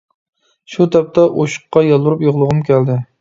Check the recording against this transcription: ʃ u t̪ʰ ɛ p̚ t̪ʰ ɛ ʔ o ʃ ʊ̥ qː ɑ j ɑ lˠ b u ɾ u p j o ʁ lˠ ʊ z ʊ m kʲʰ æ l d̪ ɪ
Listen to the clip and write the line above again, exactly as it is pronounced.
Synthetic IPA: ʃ u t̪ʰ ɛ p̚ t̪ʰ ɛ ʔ o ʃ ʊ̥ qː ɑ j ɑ lˠ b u ɾ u p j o ʁ lˠ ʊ ʁ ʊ m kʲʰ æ l d̪ ɪ